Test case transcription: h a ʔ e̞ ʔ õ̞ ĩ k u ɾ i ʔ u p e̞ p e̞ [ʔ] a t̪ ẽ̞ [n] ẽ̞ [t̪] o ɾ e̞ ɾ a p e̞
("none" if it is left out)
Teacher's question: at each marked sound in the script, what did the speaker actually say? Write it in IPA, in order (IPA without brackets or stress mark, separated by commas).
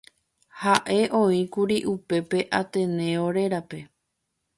ʔ, n, none